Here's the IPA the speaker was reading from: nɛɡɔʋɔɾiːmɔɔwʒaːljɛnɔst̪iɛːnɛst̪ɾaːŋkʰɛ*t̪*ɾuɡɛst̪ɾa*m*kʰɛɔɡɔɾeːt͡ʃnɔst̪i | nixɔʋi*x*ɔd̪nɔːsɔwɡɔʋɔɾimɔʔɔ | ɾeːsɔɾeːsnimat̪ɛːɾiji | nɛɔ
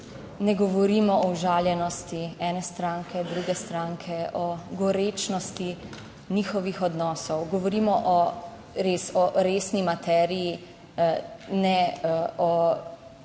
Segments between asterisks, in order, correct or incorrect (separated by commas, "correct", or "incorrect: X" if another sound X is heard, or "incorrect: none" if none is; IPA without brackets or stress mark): incorrect: d̪, incorrect: ŋ, correct